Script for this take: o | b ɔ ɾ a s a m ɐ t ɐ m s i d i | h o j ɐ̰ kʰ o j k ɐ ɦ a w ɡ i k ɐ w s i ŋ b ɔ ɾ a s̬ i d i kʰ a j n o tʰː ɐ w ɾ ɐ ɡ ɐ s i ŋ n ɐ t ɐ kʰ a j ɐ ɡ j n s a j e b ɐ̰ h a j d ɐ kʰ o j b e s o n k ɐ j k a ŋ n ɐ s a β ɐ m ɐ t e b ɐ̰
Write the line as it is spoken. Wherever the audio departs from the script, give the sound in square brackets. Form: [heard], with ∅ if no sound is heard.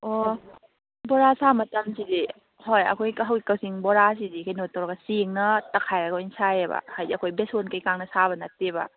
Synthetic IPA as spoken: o | b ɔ ɾ a s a m ɐ t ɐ m s i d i | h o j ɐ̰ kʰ o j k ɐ ɦ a w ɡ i k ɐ w s i ŋ b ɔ ɾ a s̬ i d i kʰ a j n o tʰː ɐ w ɾ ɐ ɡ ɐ s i ŋ n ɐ t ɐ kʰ a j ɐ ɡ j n s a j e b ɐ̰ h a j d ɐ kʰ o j b e s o n k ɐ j k a ŋ n ɐ s a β ɐ [n] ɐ t e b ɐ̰